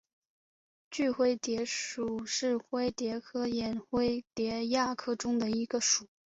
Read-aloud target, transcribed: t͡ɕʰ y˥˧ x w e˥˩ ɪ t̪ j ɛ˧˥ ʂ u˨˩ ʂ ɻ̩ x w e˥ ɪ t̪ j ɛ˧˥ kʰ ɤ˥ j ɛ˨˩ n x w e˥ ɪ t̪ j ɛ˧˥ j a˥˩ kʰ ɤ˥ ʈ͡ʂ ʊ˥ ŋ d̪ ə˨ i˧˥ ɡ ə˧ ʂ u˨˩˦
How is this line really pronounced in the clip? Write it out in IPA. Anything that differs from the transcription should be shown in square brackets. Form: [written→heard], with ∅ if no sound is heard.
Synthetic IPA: [t͡ɕʰ→t͡ɕ] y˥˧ x w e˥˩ ɪ t̪ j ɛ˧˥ ʂ u˨˩ ʂ ɻ̩ x w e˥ ɪ t̪ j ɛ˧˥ kʰ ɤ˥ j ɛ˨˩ n x w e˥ ɪ t̪ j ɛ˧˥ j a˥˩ kʰ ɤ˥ ʈ͡ʂ ʊ˥ ŋ d̪ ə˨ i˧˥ ɡ ə˧ ʂ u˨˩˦